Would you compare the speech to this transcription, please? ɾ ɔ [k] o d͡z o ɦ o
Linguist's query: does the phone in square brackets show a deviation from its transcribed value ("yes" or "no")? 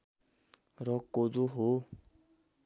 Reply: no